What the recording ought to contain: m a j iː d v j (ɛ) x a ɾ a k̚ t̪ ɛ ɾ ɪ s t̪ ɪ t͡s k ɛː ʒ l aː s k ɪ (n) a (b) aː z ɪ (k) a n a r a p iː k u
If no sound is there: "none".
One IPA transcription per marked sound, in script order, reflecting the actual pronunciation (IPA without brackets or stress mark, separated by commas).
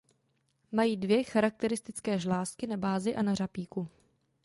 ɛ, n, b, ʔ